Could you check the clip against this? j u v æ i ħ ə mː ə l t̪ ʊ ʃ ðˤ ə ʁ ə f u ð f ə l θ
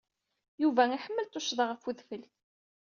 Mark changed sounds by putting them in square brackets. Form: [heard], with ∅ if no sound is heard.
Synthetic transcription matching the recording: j u v æ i ħ ə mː ə l t̪ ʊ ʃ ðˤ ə ʁ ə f u ð f ə l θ